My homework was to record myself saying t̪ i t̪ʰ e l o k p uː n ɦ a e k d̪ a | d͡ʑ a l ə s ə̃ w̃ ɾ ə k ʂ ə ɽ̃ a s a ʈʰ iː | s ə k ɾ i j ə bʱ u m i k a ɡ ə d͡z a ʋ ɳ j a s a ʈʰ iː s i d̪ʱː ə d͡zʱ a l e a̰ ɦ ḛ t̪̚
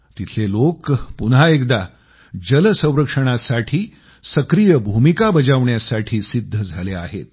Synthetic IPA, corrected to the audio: t̪ i t̪ʰ e l o k p u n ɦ a e k d̪ a | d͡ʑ ə l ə s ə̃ w̃ ɾ ə k ʂ ə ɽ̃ a s a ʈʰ iː | s ə k ɾ i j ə bʱ u m i k a b ə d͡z a ʋ ɳ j a s a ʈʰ iː s i d̪ʱː ə d͡zʱ a l e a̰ ɦ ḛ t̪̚